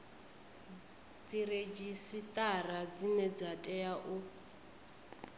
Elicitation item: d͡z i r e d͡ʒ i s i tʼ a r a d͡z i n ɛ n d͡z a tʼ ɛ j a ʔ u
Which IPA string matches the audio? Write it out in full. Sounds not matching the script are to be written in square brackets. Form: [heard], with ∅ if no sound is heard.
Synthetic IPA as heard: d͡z i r e d͡ʒ i s i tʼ a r a d͡z i n ɛ [∅] d͡z a tʼ ɛ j a ʔ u